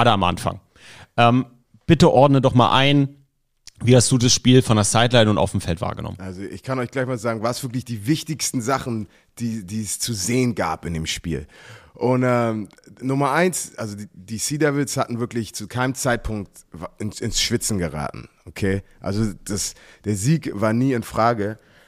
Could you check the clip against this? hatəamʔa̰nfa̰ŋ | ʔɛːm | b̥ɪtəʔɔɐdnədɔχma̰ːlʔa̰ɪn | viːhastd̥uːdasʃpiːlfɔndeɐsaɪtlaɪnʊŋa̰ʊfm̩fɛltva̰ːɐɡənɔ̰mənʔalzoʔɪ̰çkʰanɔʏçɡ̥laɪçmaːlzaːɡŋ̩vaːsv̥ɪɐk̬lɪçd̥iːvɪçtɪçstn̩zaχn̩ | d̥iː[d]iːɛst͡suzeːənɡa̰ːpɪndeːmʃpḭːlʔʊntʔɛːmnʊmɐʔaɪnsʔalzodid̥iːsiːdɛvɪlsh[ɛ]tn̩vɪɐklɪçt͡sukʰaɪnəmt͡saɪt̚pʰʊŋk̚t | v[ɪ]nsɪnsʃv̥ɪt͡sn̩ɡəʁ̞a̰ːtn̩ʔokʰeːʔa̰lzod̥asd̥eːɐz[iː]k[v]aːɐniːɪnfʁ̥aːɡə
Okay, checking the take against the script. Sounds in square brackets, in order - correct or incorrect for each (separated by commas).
correct, incorrect, correct, correct, correct